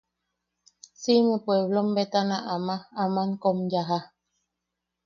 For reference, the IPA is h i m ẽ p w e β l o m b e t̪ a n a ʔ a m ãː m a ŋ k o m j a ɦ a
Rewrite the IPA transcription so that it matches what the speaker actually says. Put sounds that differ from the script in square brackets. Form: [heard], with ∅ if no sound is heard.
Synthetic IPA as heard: [s] i m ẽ p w e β l o m b e t̪ a n a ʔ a m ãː m a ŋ k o m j a ɦ a